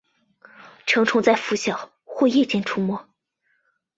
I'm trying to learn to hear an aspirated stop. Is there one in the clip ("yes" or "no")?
yes